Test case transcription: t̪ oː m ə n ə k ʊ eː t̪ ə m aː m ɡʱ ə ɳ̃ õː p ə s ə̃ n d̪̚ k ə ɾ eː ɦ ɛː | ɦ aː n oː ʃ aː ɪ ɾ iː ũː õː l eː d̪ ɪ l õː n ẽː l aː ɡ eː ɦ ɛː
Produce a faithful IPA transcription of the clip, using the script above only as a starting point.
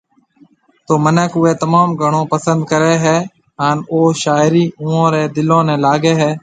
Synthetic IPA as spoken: t̪ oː m ə n ə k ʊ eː t̪ ə m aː m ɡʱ ə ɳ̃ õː p ə s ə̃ n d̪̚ k ə ɾ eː ɦ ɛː | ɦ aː n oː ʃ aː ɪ ɾ iː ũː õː ɾ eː d̪ ɪ l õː n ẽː l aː ɡ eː ɦ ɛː